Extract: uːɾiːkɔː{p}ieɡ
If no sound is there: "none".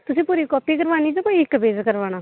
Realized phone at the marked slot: p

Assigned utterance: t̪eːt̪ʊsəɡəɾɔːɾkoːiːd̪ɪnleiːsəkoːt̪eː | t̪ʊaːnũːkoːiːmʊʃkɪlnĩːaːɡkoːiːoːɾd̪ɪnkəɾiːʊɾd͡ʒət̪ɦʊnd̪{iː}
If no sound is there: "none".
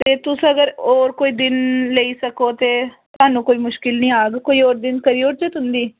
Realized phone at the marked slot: iː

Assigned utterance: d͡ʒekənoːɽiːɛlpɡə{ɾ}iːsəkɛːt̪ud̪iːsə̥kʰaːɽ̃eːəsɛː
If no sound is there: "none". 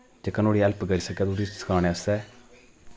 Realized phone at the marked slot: ɾ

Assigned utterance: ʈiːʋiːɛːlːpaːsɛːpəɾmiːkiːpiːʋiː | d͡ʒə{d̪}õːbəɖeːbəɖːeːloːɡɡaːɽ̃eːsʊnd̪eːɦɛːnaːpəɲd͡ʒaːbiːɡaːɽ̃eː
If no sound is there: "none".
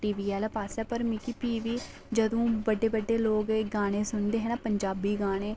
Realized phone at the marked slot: d̪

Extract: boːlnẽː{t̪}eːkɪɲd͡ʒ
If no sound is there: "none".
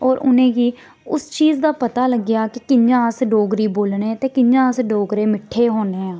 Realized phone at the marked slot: t̪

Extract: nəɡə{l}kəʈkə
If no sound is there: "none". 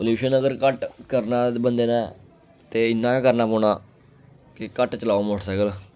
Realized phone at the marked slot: ɾ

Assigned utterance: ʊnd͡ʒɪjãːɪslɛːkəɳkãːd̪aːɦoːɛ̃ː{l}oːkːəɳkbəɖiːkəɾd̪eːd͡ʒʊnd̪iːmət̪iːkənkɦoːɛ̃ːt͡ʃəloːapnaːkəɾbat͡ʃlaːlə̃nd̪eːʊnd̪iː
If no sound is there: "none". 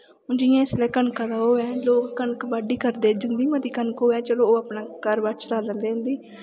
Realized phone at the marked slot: l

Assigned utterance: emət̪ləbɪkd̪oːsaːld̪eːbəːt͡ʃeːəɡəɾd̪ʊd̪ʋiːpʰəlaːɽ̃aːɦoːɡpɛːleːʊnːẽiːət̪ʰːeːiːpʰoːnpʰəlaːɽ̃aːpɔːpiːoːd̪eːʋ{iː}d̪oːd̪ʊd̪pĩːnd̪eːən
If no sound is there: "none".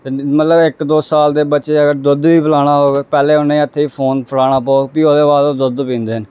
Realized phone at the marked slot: aː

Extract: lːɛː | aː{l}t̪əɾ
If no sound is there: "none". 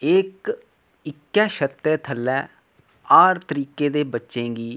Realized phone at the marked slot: ɾ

